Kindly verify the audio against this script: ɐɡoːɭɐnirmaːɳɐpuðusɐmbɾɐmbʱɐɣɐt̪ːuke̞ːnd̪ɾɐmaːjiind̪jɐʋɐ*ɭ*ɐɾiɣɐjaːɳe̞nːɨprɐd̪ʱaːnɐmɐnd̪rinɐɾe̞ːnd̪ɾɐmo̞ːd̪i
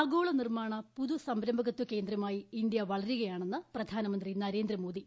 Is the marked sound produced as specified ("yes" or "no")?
yes